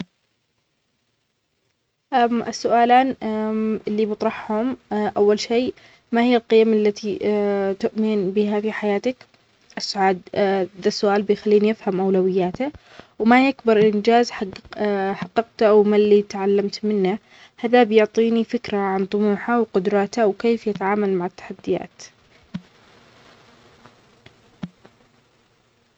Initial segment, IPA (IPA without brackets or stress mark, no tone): ʔ